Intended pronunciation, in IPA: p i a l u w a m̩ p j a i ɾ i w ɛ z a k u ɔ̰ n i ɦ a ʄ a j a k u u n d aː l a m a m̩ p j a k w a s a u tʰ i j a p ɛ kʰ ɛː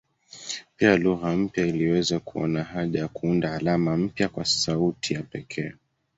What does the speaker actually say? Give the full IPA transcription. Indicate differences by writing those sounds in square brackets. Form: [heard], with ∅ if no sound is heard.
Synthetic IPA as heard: p i a l u [ɣ] a m̩ p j a i [l] i w ɛ z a k u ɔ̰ n [a] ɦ a ʄ a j a k u u n d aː l a m a m̩ p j a k w a s a u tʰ i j a p ɛ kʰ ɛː